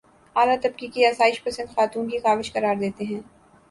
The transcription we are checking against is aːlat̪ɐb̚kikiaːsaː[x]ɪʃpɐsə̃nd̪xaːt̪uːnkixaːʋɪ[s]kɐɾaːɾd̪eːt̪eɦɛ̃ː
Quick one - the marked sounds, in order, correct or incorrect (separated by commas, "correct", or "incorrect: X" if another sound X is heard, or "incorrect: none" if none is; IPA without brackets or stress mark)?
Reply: incorrect: none, incorrect: ʃ